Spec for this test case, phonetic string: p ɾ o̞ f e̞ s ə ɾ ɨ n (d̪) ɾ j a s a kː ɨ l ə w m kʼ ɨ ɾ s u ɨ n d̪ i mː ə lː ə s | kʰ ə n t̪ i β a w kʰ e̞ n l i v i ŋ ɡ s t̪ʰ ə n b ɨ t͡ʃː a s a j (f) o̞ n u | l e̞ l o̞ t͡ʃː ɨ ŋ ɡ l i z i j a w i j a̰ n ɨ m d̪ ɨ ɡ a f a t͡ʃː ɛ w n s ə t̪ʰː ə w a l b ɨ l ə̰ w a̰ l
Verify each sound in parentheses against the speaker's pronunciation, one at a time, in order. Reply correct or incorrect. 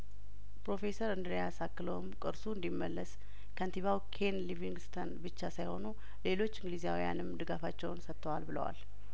correct, incorrect: h

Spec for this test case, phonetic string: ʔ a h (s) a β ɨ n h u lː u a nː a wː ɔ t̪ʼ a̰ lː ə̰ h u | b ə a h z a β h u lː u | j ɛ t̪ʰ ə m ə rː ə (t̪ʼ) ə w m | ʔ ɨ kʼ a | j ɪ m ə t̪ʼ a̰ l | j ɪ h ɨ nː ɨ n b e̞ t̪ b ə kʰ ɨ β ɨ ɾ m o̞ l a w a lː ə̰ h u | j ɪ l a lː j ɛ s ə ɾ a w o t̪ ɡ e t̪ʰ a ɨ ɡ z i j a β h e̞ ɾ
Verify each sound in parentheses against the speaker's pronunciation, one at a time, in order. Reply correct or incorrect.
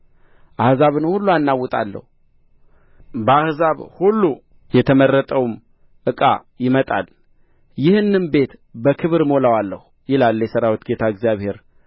incorrect: z, correct

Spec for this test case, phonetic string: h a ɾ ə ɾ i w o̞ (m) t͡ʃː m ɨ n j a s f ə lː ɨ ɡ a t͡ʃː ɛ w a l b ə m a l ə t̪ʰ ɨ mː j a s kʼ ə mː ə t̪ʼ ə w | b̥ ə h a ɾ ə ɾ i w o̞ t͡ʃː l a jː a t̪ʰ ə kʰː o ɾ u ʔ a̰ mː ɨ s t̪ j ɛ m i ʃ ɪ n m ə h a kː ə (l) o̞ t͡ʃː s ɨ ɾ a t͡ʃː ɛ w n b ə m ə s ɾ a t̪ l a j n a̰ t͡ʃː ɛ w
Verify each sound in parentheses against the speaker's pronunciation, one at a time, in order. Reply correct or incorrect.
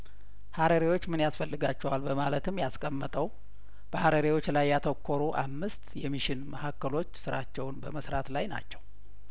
incorrect: none, correct

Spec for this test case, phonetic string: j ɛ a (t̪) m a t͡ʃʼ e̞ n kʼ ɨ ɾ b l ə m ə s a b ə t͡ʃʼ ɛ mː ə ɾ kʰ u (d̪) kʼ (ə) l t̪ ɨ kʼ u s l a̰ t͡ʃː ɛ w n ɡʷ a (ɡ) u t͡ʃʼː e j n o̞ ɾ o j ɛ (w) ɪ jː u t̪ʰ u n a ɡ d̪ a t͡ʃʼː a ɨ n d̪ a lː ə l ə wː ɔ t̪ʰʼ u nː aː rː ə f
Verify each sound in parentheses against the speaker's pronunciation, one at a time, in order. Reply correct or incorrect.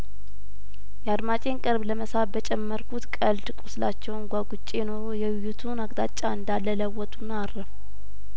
incorrect: d̪, incorrect: t̪, correct, correct, correct

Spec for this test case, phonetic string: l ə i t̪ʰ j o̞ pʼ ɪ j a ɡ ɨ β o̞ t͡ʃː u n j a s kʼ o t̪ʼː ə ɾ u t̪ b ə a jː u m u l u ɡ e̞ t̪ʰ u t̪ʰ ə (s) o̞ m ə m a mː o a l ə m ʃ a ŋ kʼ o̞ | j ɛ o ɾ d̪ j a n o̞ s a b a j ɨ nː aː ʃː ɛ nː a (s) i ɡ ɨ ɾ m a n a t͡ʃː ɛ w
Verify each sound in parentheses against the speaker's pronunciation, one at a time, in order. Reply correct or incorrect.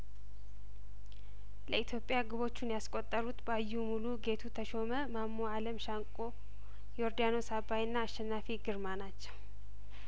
incorrect: ʃ, incorrect: f

